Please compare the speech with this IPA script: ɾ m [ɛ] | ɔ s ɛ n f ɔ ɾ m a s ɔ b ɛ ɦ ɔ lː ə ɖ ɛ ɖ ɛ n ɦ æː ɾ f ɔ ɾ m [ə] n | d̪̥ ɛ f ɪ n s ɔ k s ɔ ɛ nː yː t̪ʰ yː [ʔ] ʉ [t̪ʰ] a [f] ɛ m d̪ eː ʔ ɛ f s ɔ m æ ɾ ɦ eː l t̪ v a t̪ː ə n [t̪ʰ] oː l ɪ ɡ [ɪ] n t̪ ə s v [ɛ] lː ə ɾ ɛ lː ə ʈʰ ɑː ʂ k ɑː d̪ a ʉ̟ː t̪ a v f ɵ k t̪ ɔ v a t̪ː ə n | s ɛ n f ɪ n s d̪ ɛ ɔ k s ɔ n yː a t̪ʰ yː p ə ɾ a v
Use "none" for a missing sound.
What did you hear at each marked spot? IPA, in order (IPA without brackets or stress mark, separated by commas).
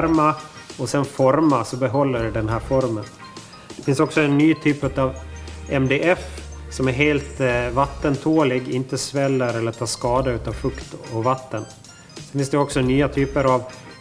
a, ə, p, t̪, v, t̪ʰ, ɪ, ɛ